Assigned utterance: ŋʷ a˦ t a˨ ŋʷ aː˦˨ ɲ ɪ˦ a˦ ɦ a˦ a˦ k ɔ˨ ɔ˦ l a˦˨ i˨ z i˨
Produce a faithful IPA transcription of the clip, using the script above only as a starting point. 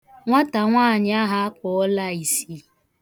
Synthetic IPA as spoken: ŋʷ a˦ t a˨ ŋʷ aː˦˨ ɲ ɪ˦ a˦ ɦ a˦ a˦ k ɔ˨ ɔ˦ l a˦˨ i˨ s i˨